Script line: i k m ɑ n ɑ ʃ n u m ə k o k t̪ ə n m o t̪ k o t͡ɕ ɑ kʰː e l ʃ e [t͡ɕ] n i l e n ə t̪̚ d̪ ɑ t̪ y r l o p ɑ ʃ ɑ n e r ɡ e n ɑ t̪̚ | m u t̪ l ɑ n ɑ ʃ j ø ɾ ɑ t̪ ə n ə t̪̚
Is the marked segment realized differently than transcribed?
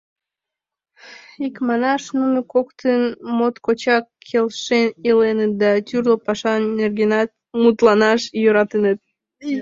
yes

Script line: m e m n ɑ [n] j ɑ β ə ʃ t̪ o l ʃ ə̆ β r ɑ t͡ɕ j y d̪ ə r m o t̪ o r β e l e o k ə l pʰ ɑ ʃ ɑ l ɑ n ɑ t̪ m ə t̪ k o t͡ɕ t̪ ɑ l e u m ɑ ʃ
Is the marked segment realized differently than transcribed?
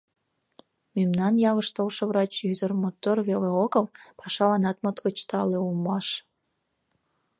no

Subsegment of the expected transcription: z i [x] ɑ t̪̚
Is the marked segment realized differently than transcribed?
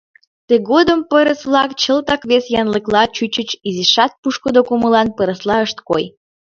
yes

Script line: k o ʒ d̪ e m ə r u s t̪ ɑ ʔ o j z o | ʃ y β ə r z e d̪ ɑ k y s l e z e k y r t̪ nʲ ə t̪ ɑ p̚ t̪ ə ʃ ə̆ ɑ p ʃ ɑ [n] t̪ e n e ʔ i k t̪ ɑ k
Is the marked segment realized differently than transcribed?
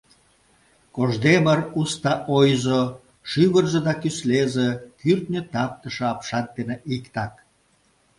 no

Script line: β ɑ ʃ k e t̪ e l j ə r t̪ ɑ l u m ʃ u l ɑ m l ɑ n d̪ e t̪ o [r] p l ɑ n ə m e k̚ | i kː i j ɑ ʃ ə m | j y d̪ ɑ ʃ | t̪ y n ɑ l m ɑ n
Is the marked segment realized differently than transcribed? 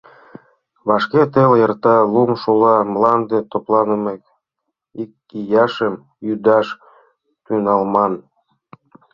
yes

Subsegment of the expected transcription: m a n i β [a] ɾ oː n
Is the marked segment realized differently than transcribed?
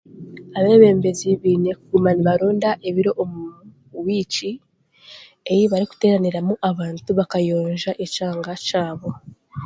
no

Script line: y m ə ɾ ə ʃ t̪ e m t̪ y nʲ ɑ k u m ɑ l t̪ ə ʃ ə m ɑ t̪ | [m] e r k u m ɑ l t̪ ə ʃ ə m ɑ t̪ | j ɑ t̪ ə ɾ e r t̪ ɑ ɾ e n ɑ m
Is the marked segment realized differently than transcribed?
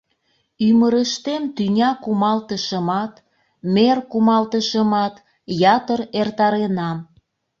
no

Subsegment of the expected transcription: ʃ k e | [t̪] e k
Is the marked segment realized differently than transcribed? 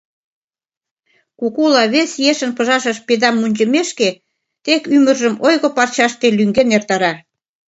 no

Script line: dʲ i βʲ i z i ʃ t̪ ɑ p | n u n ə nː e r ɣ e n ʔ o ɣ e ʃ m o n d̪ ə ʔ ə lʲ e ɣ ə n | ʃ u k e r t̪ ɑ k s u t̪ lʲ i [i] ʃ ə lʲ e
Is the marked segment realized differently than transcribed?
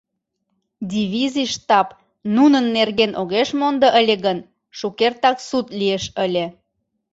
yes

